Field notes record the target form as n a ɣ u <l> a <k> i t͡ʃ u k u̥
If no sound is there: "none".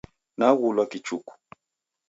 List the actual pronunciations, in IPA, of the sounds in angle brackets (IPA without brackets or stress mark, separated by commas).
l, k